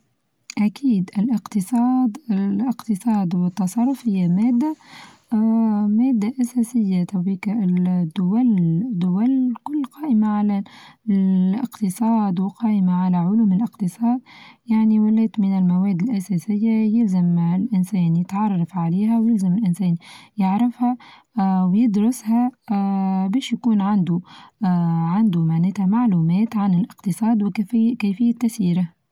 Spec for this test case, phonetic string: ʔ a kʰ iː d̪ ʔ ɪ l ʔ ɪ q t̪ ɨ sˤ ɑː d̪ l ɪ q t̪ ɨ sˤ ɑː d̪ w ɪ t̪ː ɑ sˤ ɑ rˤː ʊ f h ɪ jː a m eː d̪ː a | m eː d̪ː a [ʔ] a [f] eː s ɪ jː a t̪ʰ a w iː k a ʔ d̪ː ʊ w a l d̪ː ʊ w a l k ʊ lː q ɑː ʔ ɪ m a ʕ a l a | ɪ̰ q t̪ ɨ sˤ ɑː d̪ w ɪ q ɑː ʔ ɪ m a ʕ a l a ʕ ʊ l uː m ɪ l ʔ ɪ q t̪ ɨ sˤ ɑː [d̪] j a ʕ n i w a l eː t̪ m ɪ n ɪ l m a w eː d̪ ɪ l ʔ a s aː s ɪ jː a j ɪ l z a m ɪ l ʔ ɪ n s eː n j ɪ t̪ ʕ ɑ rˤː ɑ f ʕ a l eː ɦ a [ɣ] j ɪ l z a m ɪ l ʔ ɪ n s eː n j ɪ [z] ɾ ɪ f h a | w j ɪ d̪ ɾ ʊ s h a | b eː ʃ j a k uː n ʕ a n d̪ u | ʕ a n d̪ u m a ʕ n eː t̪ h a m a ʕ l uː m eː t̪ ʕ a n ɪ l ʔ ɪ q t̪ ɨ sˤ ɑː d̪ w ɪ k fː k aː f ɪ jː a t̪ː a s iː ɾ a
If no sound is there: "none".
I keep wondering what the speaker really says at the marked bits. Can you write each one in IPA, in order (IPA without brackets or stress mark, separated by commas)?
ʔ, s, d̪, w, ʕ